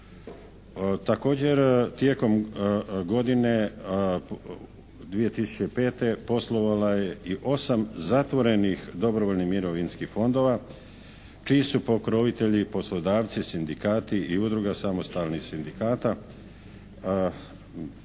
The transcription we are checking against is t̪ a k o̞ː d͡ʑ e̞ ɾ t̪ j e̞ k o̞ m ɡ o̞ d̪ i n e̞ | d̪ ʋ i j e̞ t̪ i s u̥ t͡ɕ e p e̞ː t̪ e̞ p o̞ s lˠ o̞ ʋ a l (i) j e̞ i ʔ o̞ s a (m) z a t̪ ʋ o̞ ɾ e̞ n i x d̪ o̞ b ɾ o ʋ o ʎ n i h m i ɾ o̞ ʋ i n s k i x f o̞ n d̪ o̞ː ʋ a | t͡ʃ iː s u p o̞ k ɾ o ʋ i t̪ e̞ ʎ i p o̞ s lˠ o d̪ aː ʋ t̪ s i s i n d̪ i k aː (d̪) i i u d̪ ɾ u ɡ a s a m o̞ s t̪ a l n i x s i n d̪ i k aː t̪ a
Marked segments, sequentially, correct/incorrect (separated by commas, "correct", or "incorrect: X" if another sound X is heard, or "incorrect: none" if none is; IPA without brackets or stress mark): incorrect: a, correct, incorrect: t̪